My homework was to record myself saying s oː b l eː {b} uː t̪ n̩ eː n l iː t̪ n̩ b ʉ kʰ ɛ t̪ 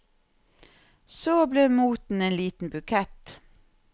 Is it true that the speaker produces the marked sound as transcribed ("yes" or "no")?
no